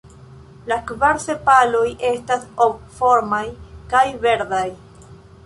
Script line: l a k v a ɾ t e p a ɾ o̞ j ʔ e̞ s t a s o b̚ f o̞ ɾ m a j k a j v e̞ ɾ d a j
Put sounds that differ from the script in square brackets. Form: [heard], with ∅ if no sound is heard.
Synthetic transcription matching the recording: l a k v a ɾ [s] e p a [l] o̞ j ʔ e̞ s t a s o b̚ f o̞ ɾ m a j k a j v e̞ ɾ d a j